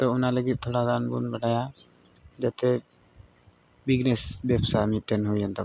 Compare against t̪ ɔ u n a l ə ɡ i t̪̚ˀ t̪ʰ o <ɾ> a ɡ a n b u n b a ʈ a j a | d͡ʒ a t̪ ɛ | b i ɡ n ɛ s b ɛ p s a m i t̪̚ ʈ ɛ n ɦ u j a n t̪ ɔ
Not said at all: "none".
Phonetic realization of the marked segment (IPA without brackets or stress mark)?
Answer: ɽ